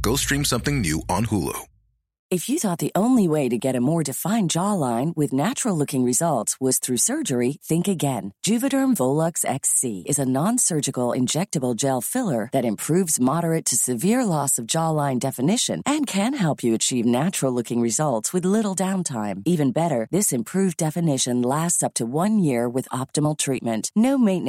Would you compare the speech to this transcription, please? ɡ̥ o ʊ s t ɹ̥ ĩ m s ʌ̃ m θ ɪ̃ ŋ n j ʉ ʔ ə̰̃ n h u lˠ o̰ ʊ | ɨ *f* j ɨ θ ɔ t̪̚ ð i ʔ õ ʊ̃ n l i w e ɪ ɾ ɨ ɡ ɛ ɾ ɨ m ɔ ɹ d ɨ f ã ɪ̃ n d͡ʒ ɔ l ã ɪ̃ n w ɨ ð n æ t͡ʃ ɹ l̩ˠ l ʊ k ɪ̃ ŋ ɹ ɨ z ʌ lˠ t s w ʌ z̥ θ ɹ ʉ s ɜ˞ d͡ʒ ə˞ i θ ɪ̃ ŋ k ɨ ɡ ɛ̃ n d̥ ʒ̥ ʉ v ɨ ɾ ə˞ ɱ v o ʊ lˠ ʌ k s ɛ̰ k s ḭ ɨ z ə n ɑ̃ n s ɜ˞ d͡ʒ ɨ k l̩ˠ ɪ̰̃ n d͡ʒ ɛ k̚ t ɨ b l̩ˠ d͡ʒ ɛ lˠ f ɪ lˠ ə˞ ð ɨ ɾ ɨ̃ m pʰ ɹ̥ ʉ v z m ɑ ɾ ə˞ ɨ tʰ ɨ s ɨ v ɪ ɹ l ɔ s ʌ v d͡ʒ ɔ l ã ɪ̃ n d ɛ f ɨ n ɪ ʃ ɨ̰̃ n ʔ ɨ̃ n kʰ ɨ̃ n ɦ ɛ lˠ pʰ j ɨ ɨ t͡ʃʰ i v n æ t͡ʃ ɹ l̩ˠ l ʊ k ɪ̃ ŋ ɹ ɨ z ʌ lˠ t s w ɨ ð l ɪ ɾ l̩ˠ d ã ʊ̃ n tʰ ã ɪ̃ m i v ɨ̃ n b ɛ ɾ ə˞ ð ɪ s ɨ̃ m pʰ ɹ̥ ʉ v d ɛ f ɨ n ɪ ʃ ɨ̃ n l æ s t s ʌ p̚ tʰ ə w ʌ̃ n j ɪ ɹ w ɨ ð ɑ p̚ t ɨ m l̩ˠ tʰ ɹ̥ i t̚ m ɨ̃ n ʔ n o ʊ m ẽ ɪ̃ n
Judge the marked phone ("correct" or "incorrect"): correct